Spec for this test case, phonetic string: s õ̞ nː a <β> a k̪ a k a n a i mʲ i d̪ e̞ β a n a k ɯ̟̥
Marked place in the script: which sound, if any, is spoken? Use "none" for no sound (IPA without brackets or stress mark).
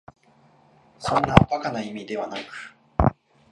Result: none